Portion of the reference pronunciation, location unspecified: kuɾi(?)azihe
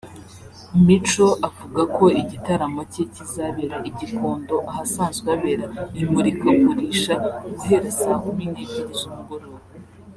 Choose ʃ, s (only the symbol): ʃ